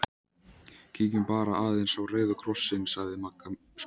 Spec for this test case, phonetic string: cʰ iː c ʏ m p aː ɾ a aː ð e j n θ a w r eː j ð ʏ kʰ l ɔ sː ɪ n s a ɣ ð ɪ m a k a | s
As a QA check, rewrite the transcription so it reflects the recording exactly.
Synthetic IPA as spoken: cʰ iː c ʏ m p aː ɾ a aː ð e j n s a w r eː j ð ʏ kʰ ɾ ɔ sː ɪ n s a ɣ ð ɪ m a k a | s